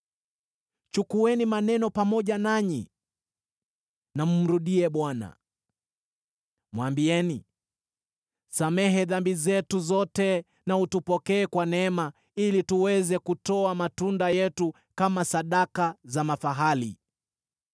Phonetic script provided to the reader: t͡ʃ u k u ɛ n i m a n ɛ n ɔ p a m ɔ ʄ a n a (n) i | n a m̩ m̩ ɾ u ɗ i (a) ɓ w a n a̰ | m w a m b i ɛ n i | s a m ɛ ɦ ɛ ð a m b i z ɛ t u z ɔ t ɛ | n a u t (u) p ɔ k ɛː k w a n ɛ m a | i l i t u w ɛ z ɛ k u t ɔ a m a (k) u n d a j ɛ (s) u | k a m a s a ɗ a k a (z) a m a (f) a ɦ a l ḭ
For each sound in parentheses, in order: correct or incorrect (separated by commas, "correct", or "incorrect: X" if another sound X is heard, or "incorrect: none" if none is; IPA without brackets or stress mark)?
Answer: incorrect: ɲ, incorrect: ɛ, correct, incorrect: t, incorrect: t, correct, correct